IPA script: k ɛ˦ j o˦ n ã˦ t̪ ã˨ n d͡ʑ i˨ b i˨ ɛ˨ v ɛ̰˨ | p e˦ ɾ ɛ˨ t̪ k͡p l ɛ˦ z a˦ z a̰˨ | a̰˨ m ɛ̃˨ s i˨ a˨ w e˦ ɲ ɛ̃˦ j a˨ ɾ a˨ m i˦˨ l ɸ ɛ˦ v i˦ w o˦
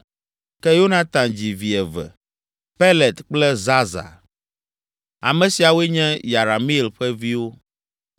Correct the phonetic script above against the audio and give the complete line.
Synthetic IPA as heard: k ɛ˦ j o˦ n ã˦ t̪ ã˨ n d͡ʑ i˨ v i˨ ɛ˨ v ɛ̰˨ | p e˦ l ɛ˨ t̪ k͡p l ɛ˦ z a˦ z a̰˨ | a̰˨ m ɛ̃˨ s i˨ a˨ w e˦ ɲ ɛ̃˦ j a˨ ɾ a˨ m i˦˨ l ɸ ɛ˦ v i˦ w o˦